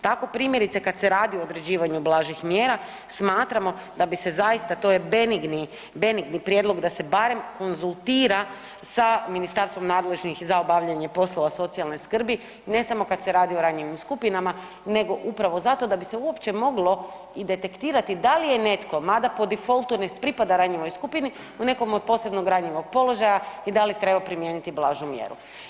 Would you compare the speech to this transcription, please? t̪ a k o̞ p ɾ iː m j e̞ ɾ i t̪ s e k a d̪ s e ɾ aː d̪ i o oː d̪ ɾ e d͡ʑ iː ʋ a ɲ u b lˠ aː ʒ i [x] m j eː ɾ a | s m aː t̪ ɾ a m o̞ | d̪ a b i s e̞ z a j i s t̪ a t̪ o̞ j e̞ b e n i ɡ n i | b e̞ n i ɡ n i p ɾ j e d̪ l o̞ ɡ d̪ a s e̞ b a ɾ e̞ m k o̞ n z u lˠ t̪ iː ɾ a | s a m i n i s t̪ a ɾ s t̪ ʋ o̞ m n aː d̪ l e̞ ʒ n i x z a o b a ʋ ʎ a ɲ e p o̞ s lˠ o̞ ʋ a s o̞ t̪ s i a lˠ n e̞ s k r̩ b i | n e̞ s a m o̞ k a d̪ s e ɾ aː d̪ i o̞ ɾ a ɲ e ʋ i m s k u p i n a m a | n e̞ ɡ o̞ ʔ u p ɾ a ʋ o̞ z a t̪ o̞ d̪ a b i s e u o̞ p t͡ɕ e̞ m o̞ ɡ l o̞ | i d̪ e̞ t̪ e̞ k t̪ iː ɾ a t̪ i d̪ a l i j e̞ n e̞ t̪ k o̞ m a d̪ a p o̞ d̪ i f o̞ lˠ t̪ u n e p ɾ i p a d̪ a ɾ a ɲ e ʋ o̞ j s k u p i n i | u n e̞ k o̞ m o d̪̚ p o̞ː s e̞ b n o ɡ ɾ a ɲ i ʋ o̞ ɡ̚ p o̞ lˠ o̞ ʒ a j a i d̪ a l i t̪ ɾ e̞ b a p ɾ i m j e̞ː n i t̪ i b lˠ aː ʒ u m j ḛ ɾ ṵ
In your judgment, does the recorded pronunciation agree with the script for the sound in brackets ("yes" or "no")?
yes